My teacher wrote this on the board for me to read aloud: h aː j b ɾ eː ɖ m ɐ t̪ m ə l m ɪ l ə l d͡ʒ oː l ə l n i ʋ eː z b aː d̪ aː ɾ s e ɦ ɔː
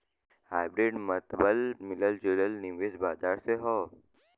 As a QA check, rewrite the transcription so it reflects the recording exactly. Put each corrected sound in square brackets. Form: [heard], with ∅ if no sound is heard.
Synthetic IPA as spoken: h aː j b ɾ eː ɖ m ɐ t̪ [b] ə l m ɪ l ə l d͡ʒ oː l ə l n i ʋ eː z b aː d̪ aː ɾ s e ɦ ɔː